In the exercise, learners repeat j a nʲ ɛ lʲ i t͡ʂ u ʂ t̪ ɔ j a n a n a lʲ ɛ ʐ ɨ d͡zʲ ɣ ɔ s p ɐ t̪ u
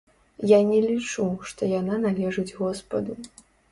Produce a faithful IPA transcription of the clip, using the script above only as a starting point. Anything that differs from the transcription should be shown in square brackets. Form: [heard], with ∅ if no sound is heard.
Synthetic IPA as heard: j a nʲ ɛ lʲ i t͡ʂ u ʂ t̪ ɔ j a n a n a lʲ ɛ ʐ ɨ d͡zʲ ɣ ɔ s p ɐ [d̪] u

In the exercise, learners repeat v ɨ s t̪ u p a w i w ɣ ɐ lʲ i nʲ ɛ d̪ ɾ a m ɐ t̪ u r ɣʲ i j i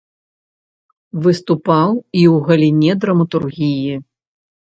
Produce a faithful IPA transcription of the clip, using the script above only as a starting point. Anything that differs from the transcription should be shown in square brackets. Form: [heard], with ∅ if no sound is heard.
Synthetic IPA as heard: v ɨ s t̪ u p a w i w ɣ ɐ lʲ i nʲ ɛ d̪ ɾ [ɐ] m ɐ t̪ u r ɣʲ i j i

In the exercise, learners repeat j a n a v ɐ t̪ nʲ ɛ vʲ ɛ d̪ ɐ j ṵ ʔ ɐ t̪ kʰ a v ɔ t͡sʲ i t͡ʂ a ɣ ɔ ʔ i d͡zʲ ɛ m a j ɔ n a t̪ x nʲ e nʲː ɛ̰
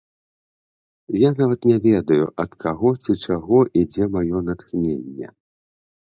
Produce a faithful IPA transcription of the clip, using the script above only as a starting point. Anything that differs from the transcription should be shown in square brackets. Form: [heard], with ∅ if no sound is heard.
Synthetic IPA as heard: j a n a v ɐ t̪ nʲ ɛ vʲ ɛ d̪ ɐ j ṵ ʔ ɐ t̪ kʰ a [ɣ] ɔ t͡sʲ i t͡ʂ a ɣ ɔ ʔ i d͡zʲ ɛ m a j ɔ n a t̪ x nʲ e nʲː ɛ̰

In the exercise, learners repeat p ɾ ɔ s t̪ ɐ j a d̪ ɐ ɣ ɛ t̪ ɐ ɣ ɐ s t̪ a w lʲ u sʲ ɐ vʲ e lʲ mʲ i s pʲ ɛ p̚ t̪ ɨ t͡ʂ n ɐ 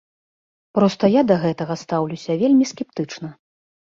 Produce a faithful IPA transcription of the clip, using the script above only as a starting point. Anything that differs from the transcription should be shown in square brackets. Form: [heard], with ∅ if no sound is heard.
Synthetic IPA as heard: p ɾ ɔ s t̪ ɐ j a d̪ ɐ ɣ ɛ t̪ ɐ ɣ ɐ s t̪ a w lʲ u sʲ ɐ vʲ e lʲ mʲ i s [kʲ] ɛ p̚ t̪ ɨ t͡ʂ n ɐ

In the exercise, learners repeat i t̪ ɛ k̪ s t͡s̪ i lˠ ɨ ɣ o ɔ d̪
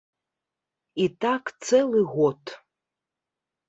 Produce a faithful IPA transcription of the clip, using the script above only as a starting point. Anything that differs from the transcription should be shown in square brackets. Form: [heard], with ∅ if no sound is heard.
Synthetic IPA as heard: i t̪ [a] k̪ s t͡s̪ [ɛ] lˠ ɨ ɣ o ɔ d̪

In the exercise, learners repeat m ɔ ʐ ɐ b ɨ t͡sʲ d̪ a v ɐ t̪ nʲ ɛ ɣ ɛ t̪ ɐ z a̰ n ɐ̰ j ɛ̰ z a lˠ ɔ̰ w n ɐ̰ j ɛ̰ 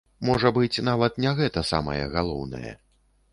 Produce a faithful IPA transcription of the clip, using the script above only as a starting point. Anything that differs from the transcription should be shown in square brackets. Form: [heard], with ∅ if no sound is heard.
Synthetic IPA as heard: m ɔ ʐ ɐ b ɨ t͡sʲ [n̪] a v ɐ t̪ nʲ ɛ ɣ ɛ t̪ ɐ [s] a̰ [m] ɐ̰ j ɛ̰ [ɣ] a lˠ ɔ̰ w n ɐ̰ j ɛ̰

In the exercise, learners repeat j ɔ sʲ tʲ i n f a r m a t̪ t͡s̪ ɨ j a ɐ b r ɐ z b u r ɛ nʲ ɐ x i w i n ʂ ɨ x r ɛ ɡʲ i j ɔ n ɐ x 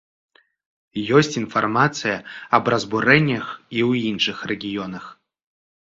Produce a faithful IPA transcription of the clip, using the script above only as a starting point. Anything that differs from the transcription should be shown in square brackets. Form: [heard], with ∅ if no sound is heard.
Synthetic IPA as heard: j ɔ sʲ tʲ i n f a r m a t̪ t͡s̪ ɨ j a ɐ b r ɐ z b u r ɛ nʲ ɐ x i w i n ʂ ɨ x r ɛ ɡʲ i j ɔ n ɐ x

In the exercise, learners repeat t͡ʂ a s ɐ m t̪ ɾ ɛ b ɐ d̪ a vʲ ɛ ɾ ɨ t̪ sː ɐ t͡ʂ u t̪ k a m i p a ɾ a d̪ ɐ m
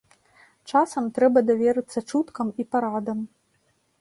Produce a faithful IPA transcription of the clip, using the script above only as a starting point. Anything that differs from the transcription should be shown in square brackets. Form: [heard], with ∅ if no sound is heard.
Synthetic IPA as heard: t͡ʂ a s ɐ m t̪ ɾ ɛ b ɐ d̪ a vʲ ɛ ɾ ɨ t̪ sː ɐ t͡ʂ u t̪ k [ɐ] m i p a ɾ a d̪ ɐ m

